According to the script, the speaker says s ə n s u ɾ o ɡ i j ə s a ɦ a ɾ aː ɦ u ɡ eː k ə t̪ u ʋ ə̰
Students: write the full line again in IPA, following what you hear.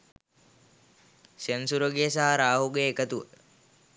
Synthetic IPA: s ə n s u ɾ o ɡ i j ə s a ɦ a ɾ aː ɦ u ɡ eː k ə t̪ u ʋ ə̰